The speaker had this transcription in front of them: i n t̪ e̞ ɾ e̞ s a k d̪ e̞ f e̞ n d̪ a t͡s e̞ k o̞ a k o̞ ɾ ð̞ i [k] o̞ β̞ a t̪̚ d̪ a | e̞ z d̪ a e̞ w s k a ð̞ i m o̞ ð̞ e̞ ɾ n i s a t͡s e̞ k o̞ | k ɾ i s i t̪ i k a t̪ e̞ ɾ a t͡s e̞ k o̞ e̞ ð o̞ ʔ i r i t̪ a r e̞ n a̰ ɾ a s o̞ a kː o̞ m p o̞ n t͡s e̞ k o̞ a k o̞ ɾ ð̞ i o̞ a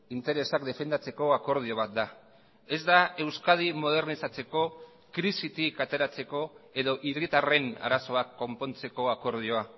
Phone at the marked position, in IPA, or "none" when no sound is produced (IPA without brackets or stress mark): none